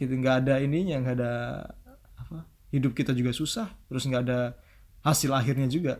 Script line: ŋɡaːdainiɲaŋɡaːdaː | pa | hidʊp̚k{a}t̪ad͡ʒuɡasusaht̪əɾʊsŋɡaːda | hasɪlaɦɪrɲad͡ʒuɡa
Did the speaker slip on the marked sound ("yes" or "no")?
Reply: yes